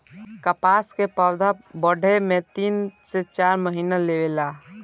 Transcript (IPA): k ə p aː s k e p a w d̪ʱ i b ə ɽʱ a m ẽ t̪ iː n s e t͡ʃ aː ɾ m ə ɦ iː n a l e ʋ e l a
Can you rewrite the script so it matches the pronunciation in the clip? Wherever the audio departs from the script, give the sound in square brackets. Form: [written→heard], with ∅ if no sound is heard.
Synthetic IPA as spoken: k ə p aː s k e p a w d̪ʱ [i→a] b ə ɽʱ [a→e] m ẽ t̪ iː n s e t͡ʃ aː ɾ m ə ɦ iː n a l e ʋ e l a